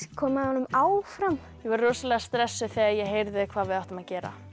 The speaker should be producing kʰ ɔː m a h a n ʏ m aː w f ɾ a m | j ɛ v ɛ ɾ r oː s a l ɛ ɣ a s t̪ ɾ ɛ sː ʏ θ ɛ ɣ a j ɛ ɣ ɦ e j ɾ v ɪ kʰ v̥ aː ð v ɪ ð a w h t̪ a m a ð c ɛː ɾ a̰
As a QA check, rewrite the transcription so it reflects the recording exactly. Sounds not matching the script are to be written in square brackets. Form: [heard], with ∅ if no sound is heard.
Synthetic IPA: kʰ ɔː m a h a n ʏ m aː w f ɾ a m | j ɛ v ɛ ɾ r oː s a l ɛ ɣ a s t̪ ɾ ɛ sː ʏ θ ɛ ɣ a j ɛ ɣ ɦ e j ɾ [ð] ɪ kʰ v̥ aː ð v ɪ ð a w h t̪ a m a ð c ɛː ɾ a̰

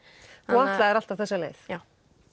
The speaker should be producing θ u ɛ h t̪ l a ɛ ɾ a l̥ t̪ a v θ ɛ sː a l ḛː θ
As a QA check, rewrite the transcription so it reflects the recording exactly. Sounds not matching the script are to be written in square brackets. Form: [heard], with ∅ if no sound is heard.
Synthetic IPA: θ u [a] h t̪ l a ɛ ɾ a l̥ t̪ a v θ ɛ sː a l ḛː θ

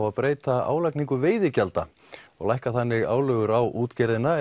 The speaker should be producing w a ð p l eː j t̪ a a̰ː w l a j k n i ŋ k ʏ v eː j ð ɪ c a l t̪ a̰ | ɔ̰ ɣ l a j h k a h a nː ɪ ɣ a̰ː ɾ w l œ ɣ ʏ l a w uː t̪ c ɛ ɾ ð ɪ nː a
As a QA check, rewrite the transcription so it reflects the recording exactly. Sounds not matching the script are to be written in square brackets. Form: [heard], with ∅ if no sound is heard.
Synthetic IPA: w a ð p [ɾ] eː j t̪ a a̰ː w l a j k n i ŋ k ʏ v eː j ð ɪ c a l t̪ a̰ | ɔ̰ ɣ l a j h k a [θ] a nː ɪ ɣ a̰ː [∅] w l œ ɣ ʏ [ɾ] a w uː t̪ c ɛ ɾ ð ɪ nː a

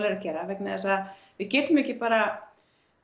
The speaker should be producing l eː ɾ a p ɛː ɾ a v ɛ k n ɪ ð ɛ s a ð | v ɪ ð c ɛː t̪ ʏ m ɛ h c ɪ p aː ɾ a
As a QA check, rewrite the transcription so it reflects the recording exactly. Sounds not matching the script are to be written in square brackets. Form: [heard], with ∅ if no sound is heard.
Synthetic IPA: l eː ɾ a [c] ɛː ɾ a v ɛ k n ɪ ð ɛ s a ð | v ɪ ð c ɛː t̪ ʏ m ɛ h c ɪ p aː ɾ a

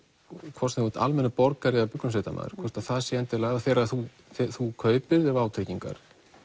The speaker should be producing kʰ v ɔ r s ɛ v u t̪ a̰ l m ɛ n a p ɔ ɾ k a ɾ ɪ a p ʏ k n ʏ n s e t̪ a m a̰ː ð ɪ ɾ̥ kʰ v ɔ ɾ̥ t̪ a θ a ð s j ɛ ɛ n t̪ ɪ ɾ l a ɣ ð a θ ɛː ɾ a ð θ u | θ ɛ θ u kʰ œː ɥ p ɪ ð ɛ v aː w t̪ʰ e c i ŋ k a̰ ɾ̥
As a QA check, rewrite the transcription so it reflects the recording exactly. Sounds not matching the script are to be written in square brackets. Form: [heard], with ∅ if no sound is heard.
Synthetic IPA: kʰ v ɔ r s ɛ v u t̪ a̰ l m ɛ n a p ɔ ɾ k a ɾ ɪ a p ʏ k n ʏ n s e t̪ a m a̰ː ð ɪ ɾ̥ kʰ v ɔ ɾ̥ t̪ a θ a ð s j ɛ ɛ n t̪ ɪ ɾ l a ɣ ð a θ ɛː ɾ a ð θ u | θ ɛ θ u kʰ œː ɥ p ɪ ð ɛ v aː w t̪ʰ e c i ŋ k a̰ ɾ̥

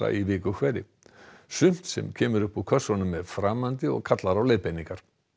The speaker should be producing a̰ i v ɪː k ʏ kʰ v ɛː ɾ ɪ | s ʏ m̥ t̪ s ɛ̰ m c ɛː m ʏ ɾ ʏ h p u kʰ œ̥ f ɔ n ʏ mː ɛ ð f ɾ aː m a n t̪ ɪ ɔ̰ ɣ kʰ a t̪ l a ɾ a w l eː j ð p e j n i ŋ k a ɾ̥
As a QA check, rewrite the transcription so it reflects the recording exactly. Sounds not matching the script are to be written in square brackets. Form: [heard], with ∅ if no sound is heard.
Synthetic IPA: a̰ i v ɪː k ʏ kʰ v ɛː ɾ ɪ | s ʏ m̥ t̪ s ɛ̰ m [cʰ] ɛː m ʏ ɾ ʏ h p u kʰ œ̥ [s] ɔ n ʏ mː ɛ ð f ɾ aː m a n t̪ ɪ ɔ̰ ɣ kʰ a t̪ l a ɾ a w l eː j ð p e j n i ŋ k a ɾ̥

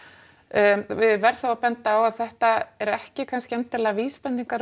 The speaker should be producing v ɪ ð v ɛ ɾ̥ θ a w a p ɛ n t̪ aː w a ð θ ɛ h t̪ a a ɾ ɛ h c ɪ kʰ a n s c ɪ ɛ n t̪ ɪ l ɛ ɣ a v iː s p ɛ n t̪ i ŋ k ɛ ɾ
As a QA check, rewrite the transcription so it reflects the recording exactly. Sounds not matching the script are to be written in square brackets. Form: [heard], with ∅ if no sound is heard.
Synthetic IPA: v ɪ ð v ɛ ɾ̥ θ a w a p ɛ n t̪ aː w a ð θ ɛ h t̪ a [ɛ] ɾ ɛ h c ɪ kʰ a n s c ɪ ɛ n t̪ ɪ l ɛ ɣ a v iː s p ɛ n t̪ i ŋ k [a] ɾ

